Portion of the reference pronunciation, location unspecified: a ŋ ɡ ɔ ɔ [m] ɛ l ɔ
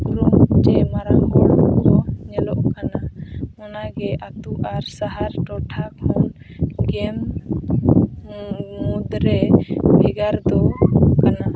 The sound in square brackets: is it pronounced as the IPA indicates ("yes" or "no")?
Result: no